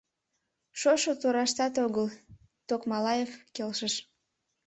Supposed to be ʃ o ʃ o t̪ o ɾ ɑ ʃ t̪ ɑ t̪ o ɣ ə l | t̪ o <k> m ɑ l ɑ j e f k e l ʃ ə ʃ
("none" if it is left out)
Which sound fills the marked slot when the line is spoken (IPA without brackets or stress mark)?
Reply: k